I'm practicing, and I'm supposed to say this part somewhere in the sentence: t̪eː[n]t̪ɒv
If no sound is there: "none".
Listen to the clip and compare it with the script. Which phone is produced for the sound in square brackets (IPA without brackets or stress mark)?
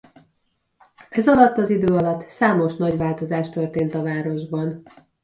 n